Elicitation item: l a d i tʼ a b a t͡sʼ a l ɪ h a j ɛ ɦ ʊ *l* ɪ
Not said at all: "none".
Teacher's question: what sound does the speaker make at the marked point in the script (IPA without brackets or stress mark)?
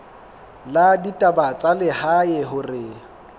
r